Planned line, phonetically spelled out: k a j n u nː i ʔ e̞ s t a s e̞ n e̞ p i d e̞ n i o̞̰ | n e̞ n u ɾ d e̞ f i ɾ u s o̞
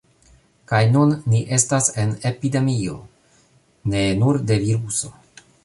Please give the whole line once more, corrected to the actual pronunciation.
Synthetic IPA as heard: k a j n u nː i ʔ e̞ s t a s e̞ n e̞ p i d e̞ m i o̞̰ | n e̞ n u ɾ d e̞ v i ɾ u s o̞